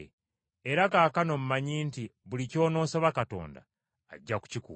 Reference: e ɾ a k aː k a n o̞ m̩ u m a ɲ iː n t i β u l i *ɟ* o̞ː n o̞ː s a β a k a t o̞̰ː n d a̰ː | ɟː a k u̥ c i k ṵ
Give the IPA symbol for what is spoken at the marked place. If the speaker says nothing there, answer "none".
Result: c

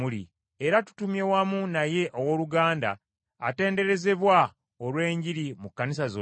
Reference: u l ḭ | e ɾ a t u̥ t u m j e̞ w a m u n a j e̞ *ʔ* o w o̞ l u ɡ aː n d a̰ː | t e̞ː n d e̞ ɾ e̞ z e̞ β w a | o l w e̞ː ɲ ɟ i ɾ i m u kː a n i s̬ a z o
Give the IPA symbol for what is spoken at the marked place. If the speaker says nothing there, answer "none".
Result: ʔ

